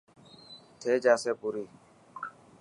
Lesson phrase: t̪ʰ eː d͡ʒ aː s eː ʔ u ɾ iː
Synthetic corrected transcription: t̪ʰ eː d͡ʒ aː s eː p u ɾ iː

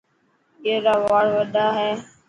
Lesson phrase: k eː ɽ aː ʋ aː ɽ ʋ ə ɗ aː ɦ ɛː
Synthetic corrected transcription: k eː ɾ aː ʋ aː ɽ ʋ ə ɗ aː ɦ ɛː

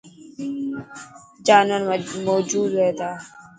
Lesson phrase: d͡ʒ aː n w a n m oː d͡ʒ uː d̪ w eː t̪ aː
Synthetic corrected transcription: d͡ʒ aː n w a n m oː d͡ʒ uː d̪ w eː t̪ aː

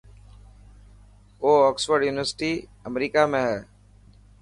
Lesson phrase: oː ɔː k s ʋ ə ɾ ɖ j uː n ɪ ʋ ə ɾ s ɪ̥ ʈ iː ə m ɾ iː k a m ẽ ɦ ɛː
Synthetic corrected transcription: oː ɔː k s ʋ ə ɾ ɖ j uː n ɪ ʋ ə ɾ s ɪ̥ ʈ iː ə m ɾ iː k a m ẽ ɦ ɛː

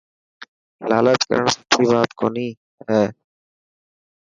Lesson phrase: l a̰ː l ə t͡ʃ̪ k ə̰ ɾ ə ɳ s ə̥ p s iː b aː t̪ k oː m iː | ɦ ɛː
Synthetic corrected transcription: l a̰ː l ə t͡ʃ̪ k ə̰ ɾ ə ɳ s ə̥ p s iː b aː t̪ k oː n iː | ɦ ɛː

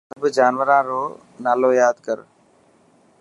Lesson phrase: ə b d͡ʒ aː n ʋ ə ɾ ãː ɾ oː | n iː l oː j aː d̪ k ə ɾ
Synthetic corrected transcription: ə b d͡ʒ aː n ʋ ə ɾ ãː ɾ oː | n aː l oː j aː d̪ k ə ɾ

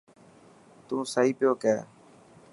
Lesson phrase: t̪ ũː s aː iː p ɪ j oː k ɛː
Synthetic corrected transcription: t̪ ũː s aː iː p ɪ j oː k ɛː

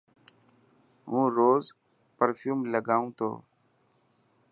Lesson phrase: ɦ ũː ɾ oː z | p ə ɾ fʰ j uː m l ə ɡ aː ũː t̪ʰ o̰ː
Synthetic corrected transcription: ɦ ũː ɾ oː z | p ə ɾ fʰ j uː m l ə ɡ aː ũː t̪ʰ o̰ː

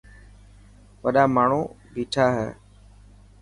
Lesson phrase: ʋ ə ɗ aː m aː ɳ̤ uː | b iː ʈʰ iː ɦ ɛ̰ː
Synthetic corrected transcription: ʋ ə ɗ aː m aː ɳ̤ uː | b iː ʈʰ aː ɦ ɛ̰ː

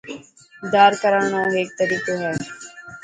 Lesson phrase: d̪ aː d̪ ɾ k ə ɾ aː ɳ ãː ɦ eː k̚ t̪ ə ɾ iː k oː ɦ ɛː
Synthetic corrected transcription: d̪ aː ɾ k ə ɾ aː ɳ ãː ɦ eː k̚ t̪ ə ɾ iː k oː ɦ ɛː

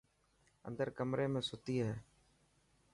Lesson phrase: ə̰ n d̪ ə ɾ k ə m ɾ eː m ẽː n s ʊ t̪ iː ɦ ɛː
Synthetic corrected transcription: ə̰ n d̪ ə ɾ k ə m ɾ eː m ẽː s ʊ t̪ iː ɦ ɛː

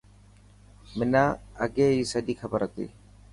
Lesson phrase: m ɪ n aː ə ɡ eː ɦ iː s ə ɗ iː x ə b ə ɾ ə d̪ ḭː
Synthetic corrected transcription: m ɪ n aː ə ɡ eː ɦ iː s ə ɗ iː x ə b ə ɾ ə t̪ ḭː

